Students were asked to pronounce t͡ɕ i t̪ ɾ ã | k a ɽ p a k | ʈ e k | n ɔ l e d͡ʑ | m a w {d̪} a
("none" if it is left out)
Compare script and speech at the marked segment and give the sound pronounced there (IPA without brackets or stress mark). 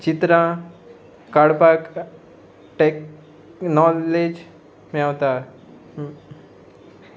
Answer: t̪